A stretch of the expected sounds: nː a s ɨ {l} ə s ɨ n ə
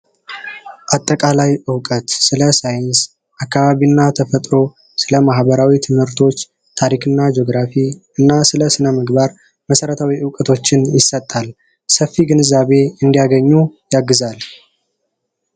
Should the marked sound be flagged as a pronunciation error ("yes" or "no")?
no